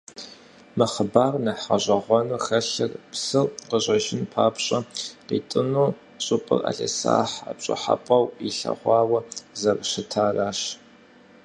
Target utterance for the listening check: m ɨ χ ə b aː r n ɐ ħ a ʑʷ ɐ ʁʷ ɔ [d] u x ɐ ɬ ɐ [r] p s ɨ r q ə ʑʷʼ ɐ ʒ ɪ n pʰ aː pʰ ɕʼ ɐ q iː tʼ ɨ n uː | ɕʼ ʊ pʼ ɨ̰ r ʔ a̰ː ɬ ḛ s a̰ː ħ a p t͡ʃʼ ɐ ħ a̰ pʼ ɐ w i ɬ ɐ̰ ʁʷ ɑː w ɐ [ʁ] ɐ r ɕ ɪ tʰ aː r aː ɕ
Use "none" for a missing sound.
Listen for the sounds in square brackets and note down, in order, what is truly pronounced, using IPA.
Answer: n, r, z

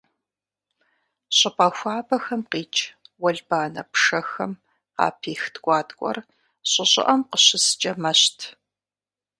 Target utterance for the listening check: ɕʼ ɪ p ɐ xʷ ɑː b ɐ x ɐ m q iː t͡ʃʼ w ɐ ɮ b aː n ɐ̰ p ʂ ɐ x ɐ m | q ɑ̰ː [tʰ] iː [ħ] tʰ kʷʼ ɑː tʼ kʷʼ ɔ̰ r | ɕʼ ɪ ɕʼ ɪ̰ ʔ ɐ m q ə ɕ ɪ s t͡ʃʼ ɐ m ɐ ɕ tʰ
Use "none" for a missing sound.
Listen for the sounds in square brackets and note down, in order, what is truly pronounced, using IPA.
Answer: pʰ, x

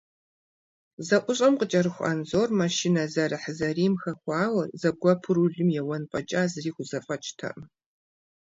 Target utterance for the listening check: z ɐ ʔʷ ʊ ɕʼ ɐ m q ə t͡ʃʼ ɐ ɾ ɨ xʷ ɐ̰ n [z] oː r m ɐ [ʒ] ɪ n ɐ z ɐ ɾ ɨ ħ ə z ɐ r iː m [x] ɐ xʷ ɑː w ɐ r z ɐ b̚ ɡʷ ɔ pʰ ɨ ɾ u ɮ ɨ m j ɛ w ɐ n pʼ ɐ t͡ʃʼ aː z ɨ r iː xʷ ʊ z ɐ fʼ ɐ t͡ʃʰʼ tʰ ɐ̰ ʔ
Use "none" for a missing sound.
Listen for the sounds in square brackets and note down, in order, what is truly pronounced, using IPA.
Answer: z, ʃ, x

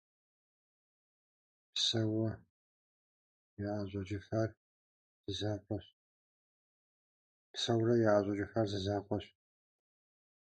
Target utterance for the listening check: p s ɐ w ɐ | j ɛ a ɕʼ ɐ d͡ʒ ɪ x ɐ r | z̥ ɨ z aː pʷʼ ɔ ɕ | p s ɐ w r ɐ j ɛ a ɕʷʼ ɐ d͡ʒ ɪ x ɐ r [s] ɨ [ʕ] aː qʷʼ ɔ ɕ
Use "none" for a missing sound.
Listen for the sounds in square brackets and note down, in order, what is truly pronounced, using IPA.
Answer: z, z

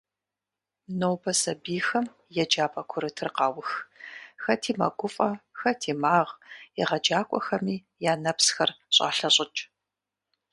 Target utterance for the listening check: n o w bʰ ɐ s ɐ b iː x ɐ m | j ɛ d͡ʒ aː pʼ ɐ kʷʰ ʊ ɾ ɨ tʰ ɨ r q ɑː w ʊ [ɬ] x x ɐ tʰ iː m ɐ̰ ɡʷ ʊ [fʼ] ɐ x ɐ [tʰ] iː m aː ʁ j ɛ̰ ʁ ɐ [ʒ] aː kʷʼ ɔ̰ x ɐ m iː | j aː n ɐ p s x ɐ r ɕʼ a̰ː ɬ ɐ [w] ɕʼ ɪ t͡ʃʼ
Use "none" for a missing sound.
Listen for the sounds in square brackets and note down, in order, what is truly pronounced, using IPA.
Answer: none, fʼ, tʰ, d͡ʒ, none

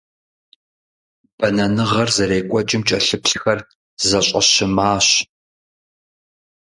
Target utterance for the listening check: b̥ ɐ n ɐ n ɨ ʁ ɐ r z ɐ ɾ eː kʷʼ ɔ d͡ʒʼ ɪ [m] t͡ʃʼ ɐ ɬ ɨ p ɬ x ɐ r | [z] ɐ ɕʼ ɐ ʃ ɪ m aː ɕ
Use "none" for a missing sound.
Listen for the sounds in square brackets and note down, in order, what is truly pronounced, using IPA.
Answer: m, z

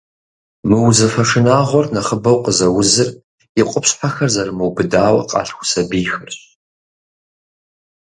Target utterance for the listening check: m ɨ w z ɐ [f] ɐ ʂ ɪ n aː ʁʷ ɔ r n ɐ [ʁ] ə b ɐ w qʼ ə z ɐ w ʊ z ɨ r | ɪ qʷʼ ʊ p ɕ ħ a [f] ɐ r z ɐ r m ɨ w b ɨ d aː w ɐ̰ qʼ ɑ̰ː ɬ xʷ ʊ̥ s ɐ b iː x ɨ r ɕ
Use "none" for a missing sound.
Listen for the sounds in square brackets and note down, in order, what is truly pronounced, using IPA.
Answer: f, χ, x

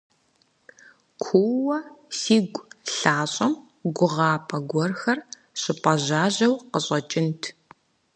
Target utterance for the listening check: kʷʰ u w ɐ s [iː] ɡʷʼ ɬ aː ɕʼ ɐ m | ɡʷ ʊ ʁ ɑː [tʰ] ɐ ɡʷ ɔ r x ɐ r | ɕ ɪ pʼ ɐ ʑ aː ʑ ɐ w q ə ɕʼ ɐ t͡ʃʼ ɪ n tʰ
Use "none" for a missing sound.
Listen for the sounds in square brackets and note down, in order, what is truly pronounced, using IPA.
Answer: iː, pʰ

